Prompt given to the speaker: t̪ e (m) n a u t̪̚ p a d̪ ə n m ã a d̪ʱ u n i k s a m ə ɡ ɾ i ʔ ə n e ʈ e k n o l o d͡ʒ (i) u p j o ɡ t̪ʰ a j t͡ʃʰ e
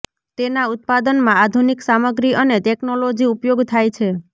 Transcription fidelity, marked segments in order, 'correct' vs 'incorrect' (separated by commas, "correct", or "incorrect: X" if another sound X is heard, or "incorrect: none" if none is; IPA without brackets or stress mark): incorrect: none, correct